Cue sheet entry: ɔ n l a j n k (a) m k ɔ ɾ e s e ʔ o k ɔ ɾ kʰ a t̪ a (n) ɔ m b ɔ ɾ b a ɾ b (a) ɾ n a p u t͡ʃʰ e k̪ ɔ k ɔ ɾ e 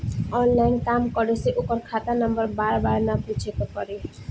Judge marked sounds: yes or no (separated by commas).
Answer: yes, yes, yes